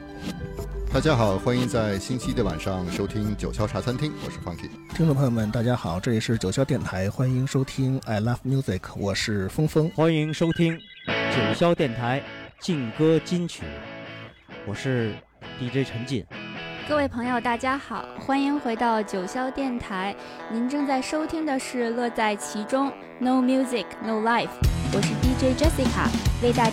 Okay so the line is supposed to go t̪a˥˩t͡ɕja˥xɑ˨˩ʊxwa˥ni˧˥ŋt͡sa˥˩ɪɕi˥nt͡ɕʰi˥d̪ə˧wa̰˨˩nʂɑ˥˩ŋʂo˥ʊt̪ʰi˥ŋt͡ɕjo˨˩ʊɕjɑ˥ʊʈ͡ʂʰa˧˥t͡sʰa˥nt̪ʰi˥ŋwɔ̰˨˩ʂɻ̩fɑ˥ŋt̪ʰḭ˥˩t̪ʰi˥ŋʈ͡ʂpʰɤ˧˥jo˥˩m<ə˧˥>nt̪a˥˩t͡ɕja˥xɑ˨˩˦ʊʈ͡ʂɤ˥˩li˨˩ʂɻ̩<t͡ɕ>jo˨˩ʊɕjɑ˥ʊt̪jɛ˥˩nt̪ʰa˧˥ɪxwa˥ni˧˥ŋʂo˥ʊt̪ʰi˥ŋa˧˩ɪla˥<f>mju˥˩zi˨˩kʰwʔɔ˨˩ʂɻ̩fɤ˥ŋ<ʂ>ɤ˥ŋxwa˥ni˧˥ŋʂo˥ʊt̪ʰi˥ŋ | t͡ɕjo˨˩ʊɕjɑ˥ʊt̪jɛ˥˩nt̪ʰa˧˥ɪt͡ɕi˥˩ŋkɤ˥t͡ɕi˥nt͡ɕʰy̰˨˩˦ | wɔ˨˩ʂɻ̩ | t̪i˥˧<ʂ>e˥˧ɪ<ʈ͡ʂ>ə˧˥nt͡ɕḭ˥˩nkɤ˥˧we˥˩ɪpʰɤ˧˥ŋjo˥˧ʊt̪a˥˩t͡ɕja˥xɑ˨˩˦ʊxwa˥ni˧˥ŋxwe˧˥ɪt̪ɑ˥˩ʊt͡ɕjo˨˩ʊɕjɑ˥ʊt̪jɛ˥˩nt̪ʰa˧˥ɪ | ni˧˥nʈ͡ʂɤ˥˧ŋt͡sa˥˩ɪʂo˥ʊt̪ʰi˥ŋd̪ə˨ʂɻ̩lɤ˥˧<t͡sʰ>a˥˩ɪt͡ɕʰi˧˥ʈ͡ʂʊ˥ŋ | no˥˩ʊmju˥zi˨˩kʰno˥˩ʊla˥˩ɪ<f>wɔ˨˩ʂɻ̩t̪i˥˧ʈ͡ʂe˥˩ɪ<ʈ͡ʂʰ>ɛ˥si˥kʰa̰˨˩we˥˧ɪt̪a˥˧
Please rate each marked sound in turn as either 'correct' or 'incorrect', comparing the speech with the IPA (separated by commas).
incorrect, correct, correct, incorrect, incorrect, incorrect, incorrect, correct, incorrect